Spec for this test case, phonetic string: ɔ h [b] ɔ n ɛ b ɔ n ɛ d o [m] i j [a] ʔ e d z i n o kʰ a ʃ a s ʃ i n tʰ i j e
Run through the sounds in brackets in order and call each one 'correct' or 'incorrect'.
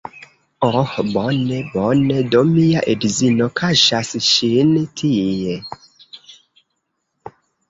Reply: correct, correct, correct

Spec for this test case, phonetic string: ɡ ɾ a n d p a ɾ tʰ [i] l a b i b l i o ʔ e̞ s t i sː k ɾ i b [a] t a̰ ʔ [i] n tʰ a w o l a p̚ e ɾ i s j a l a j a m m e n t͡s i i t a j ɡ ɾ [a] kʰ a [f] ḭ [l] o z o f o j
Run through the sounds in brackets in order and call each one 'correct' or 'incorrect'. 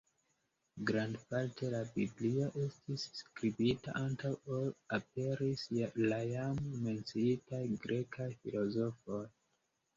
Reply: incorrect: e, incorrect: i, incorrect: a, incorrect: e, correct, correct

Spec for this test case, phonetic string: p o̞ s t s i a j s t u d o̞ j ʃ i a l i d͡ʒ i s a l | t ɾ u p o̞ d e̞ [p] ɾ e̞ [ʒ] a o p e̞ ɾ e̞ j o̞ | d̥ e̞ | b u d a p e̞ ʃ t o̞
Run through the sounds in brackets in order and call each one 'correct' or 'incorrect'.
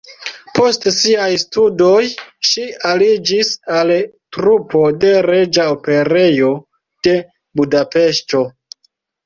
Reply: incorrect: none, incorrect: d͡ʒ

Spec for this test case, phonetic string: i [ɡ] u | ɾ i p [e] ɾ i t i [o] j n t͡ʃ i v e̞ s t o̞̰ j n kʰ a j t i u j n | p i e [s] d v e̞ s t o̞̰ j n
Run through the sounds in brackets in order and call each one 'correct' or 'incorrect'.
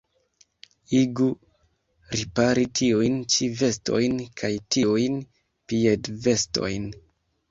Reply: correct, incorrect: a, incorrect: u, incorrect: none

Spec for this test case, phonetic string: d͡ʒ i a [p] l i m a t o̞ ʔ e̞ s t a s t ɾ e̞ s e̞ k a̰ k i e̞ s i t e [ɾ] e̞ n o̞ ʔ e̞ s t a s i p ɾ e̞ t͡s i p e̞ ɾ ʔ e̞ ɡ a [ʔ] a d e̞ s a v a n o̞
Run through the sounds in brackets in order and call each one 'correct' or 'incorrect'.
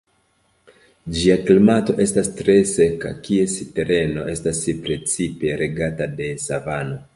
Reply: incorrect: k, correct, incorrect: t

